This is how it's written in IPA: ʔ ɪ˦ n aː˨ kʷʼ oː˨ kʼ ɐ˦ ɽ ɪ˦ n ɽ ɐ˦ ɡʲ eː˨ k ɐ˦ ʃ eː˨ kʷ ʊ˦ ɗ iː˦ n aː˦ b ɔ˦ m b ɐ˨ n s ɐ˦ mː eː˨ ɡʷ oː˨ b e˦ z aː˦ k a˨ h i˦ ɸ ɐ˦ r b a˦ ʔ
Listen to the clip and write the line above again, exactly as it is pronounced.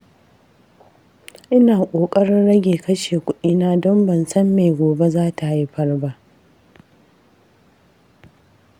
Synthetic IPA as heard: ʔ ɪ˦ n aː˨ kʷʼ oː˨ kʼ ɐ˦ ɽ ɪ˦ n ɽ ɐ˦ ɡʲ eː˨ k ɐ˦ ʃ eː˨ kʷ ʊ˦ ɗ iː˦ n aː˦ d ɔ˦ m b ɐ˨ n s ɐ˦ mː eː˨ ɡʷ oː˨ b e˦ z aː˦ t a˨ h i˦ ɸ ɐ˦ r b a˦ ʔ